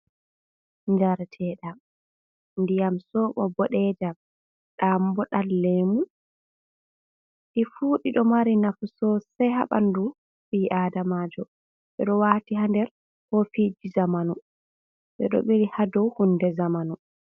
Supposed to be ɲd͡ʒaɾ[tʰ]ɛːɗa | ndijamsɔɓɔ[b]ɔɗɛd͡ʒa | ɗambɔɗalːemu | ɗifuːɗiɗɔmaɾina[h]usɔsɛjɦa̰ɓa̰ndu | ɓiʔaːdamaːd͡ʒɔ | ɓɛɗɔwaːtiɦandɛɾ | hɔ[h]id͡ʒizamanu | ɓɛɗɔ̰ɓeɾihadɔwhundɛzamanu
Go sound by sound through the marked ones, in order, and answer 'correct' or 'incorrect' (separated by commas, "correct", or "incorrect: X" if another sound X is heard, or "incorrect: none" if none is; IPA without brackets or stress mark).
correct, correct, incorrect: f, incorrect: f